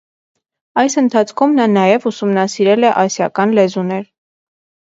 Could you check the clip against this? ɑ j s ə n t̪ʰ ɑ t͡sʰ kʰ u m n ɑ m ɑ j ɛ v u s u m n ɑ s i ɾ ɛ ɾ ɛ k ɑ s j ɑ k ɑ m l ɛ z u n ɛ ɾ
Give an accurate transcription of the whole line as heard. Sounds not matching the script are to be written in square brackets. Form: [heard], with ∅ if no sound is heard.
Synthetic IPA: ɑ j s ə n t̪ʰ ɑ t͡sʰ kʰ u m n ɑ [n] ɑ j ɛ v u s u m n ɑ s i ɾ ɛ [l] ɛ [ʔ] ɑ s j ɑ k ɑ [n] l ɛ z u n ɛ ɾ